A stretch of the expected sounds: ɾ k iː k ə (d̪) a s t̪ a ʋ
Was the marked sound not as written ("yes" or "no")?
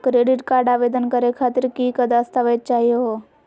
no